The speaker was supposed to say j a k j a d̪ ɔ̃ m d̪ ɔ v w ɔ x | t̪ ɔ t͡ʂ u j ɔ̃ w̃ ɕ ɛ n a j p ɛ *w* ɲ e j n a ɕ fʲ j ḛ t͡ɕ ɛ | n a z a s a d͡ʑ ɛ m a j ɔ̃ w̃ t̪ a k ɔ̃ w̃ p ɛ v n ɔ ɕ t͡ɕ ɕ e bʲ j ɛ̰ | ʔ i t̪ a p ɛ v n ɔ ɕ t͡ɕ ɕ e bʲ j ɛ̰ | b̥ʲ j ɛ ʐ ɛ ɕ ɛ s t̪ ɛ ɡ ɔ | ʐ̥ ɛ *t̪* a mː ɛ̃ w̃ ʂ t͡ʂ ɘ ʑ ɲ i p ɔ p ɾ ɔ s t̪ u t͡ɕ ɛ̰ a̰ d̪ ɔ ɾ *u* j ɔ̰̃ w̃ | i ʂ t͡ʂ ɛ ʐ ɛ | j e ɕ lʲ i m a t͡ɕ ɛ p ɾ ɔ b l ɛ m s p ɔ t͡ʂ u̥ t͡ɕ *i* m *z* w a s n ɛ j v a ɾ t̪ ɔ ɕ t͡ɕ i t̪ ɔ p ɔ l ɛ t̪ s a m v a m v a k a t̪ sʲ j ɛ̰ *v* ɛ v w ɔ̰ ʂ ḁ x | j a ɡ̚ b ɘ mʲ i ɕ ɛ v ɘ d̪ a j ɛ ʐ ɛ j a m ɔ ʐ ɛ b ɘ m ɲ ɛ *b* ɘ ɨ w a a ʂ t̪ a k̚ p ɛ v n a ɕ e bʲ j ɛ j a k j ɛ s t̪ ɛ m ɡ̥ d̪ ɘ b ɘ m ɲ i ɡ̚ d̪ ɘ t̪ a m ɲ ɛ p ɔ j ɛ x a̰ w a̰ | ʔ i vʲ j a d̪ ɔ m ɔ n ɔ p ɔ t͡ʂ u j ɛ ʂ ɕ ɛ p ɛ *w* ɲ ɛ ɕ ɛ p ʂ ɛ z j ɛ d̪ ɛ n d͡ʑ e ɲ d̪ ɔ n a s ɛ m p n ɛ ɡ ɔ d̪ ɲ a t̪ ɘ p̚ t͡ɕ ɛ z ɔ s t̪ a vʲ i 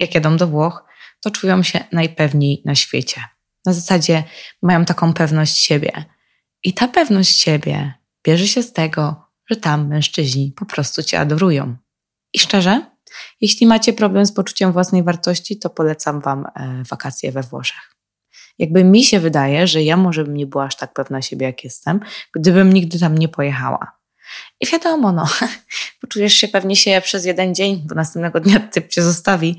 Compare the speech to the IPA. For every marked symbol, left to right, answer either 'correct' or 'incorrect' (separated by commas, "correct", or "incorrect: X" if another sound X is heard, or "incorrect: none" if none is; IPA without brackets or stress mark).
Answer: incorrect: v, correct, correct, incorrect: ɛ, incorrect: v, correct, correct, incorrect: v